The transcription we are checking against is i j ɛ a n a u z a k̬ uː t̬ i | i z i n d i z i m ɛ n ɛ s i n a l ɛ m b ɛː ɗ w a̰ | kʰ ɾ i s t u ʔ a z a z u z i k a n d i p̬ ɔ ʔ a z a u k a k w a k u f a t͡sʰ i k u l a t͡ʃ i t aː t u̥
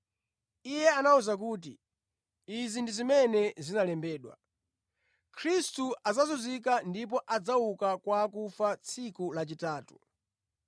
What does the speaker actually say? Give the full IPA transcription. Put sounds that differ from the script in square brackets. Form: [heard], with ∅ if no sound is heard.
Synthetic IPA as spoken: i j ɛ a n a u z a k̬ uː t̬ i | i z i n d i z i m ɛ n ɛ [z] i n a l ɛ m b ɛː ɗ w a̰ | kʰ ɾ i s t u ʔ a z a z u z i k a n d i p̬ ɔ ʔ a [d͡z] a u k a k w a k u f a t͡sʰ i k u l a t͡ʃ i t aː t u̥

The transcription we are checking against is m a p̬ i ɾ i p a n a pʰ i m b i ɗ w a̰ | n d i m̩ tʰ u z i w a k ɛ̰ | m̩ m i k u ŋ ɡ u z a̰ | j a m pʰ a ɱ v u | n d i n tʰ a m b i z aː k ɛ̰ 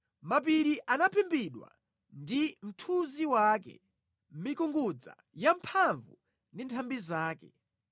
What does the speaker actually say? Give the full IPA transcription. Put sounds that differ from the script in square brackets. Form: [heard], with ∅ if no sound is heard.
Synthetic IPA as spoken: m a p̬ i ɾ i [ʔ] a n a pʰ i m b i ɗ w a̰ | n d i m̩ tʰ u z i w a k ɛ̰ | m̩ m i k u ŋ ɡ u [d͡z] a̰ | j a m pʰ a ɱ v u | n d i n tʰ a m b i z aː k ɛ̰

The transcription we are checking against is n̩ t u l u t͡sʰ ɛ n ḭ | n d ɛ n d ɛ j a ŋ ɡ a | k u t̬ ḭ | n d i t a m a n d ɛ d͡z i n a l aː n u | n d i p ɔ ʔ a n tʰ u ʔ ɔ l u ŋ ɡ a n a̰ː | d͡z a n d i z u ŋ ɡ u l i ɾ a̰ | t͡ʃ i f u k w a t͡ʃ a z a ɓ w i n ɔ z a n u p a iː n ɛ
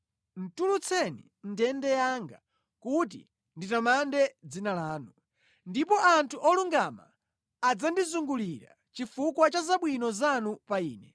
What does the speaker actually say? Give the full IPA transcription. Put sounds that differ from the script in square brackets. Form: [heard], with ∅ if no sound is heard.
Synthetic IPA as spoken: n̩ t u l u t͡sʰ ɛ n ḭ | n d ɛ n d ɛ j a ŋ ɡ a | k u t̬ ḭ | n d i t a m a n d ɛ d͡z i n a l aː n u | n d i p ɔ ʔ a n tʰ u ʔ ɔ l u ŋ ɡ a [m] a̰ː | d͡z a n d i z u ŋ ɡ u l i ɾ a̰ | t͡ʃ i f u k w a t͡ʃ a z a ɓ w i n ɔ z a n u p a iː n ɛ

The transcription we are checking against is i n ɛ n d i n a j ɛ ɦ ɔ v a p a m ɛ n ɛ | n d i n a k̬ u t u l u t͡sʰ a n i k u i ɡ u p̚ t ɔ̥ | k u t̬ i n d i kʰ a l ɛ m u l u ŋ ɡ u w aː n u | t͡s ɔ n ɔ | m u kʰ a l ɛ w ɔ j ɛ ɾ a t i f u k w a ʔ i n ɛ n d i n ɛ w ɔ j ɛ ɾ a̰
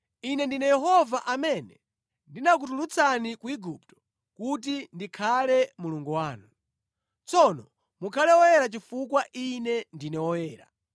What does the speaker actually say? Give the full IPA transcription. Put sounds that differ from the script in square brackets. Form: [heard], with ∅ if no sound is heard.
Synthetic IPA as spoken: i n ɛ n d i n [ɛ] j ɛ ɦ ɔ v a [ʔ] a m ɛ n ɛ | n d i n a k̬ u t u l u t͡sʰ a n i k u i ɡ u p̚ t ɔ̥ | k u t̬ i n d i kʰ a l ɛ m u l u ŋ ɡ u w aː n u | t͡s ɔ n ɔ | m u kʰ a l ɛ w ɔ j ɛ ɾ a [t͡ʃ] i f u k w a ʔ i n ɛ n d i n ɛ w ɔ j [ɛː] ɾ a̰

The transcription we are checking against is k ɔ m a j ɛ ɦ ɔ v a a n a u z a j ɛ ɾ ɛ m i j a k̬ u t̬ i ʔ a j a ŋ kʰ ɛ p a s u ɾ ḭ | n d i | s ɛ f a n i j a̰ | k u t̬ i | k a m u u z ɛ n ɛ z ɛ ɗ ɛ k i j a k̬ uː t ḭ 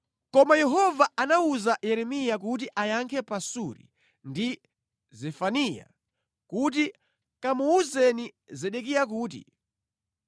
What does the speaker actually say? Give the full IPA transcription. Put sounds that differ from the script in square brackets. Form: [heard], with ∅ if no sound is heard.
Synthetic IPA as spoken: k ɔ m a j ɛ ɦ ɔ v a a n a u z a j ɛ ɾ ɛ m i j a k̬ u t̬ i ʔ a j a ŋ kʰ ɛ p a s u ɾ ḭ | n d i | [z] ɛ f a n i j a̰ | k u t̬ i | k a m u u z ɛ n [i] z ɛ ɗ ɛ k i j a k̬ uː t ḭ

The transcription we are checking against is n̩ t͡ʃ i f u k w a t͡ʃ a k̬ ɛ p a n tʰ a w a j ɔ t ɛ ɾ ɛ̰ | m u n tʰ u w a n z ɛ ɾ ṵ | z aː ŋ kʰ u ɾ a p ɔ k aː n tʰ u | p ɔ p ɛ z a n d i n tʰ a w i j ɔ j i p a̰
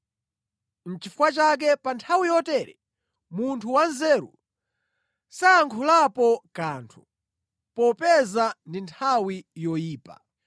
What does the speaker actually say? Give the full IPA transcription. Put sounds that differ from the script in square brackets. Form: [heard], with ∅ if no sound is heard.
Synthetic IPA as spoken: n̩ t͡ʃ i f u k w a t͡ʃ a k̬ ɛ p a n tʰ a w [i] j ɔ t ɛ ɾ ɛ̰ | m u n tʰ u w a n z ɛ ɾ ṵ | [s] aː ŋ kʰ u [l] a p ɔ k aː n tʰ u | p ɔ p ɛ z a n d i n tʰ a w i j ɔ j [iː] p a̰

